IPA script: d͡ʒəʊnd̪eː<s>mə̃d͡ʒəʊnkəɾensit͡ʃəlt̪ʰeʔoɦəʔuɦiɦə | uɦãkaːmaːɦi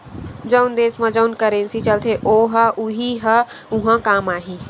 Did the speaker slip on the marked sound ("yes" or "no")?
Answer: no